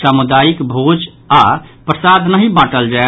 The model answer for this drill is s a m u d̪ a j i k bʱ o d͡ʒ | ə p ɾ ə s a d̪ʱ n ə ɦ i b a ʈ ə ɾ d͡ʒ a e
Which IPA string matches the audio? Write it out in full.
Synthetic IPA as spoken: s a m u d̪ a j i k bʱ o d͡ʒ | a p ɾ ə s a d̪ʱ n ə ɦ i b a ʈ ə l d͡ʒ a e